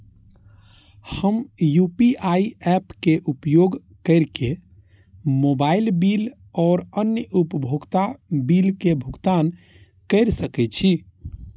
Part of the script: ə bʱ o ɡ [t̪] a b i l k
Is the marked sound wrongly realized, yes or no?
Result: no